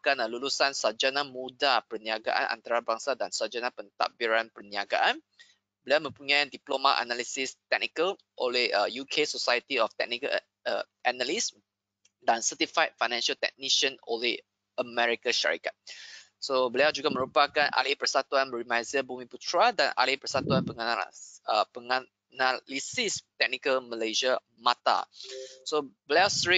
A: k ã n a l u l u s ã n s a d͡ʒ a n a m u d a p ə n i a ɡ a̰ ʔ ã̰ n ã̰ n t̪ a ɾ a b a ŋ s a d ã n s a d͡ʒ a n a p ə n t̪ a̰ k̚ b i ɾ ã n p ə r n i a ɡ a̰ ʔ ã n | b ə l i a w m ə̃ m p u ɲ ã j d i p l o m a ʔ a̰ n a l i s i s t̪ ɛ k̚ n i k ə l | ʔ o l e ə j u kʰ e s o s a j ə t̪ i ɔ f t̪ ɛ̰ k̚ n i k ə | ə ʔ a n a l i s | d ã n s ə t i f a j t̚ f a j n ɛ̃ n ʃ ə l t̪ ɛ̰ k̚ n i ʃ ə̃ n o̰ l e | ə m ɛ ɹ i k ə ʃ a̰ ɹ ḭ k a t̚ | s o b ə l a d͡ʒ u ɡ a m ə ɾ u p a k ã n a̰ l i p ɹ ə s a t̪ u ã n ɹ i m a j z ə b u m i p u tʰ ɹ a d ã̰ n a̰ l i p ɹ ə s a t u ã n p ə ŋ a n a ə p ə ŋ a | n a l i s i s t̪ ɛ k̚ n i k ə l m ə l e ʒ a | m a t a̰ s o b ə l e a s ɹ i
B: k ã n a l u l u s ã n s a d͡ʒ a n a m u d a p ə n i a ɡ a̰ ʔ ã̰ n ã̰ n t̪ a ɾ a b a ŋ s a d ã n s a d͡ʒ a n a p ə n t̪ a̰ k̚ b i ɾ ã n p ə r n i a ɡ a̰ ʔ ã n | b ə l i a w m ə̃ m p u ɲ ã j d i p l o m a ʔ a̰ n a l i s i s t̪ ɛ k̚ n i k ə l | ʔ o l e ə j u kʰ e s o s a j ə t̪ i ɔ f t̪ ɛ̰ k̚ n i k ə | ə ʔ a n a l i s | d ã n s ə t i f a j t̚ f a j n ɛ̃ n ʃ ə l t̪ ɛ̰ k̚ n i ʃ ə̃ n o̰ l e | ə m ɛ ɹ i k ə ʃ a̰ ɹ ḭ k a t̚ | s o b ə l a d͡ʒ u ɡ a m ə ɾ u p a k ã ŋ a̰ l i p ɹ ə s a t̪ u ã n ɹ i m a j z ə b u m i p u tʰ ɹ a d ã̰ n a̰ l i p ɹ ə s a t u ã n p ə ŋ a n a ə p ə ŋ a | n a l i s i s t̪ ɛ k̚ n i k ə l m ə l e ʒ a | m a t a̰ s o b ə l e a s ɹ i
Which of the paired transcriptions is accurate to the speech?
A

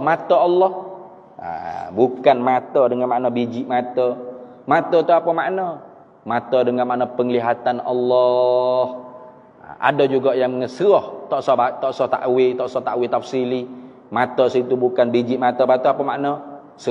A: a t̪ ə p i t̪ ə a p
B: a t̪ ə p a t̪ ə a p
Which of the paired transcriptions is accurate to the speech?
B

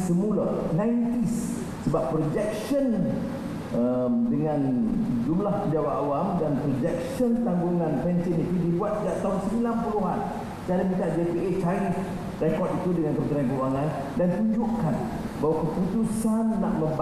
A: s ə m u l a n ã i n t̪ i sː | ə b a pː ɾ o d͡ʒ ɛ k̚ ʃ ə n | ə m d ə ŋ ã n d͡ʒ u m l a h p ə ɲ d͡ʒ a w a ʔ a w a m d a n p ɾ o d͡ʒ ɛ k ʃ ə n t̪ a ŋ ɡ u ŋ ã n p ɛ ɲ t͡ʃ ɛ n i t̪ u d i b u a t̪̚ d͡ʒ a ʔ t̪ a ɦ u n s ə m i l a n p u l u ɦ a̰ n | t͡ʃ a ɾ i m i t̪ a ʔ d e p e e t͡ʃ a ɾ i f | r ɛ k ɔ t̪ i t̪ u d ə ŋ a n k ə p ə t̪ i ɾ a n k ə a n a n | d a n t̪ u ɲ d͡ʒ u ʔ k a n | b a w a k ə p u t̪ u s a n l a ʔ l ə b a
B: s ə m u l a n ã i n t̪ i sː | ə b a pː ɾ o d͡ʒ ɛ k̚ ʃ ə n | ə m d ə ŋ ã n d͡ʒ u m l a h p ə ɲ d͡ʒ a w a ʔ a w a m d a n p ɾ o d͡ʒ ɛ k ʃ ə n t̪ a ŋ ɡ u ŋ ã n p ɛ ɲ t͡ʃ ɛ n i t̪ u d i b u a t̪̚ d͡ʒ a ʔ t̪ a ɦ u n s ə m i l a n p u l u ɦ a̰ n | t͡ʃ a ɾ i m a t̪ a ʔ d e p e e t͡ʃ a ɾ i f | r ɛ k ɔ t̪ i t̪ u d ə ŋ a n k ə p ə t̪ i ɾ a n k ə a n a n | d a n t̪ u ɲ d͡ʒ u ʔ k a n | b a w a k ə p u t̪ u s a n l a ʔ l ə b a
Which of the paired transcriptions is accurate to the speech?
A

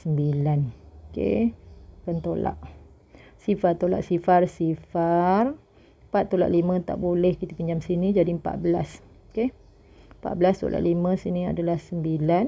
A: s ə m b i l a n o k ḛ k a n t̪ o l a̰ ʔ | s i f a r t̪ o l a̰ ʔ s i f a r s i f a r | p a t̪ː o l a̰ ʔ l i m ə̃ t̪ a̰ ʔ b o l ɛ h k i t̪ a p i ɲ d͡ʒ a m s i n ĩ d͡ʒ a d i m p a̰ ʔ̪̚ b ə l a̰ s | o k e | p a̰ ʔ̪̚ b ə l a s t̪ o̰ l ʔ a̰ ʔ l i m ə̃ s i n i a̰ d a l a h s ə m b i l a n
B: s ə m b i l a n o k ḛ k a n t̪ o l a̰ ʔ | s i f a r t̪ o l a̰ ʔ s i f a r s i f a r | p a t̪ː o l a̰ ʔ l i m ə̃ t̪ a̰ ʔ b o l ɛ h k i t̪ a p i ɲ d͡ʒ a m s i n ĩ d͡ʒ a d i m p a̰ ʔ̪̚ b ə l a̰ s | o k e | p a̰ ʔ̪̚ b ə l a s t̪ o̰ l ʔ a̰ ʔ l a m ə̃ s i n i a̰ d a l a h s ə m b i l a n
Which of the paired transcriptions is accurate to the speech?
A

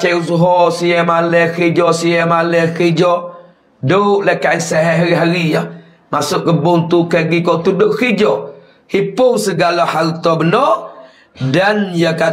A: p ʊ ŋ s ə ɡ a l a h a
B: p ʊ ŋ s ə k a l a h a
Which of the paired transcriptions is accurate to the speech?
A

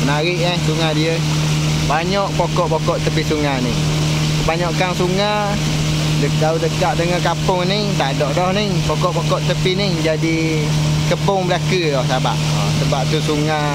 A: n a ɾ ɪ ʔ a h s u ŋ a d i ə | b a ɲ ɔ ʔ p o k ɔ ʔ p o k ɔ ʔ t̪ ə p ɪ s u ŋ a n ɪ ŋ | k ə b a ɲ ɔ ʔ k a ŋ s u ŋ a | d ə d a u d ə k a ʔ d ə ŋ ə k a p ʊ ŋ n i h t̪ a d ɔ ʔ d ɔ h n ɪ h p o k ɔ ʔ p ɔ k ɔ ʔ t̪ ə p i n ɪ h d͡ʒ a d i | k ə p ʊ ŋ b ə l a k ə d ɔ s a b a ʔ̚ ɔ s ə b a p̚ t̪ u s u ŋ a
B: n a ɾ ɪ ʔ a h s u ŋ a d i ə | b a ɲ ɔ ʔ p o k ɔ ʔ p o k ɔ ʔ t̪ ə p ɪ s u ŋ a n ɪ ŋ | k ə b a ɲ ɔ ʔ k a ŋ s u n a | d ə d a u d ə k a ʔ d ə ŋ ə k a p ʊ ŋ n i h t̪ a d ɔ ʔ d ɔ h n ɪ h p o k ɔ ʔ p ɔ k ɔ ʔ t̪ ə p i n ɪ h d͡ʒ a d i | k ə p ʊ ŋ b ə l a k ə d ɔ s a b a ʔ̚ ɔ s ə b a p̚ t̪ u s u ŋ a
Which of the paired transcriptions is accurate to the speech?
A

